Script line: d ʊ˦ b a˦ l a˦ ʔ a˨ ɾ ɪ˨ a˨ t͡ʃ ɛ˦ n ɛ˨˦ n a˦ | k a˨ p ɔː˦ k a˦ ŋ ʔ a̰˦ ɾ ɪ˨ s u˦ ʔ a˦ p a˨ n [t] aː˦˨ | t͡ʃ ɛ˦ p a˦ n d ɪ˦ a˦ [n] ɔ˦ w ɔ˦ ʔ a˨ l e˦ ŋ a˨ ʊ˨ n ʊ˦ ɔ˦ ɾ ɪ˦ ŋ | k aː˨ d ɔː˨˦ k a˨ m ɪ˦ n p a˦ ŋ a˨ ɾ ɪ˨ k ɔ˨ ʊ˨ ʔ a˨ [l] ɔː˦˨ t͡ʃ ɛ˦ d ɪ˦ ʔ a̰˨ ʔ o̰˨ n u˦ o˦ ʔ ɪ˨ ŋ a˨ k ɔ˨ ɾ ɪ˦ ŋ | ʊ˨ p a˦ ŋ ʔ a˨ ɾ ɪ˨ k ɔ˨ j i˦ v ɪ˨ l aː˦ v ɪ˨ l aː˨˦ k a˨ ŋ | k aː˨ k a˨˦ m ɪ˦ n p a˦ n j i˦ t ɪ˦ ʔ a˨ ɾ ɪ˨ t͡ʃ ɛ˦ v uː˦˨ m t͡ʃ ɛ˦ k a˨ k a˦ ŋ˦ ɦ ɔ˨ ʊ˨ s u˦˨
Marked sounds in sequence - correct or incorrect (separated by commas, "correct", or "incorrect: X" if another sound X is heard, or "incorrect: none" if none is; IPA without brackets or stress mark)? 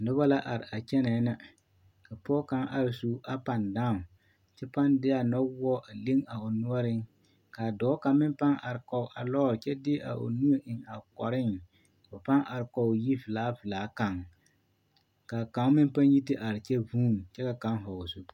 incorrect: d, correct, correct